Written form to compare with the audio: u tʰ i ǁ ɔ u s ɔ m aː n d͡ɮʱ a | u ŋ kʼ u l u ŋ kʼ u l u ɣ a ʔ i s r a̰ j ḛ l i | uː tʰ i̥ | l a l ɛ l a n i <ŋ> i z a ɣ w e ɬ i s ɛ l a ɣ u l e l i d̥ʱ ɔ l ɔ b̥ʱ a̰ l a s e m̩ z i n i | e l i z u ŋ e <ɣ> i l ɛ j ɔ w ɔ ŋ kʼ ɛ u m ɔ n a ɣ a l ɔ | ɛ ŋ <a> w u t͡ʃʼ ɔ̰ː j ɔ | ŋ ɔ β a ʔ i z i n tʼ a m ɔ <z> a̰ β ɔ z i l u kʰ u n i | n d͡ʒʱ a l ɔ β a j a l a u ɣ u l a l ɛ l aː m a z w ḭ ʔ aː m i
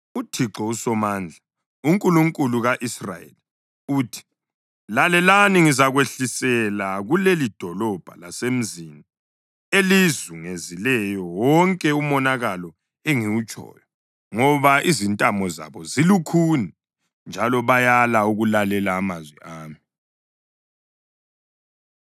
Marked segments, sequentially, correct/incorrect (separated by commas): correct, incorrect, incorrect, correct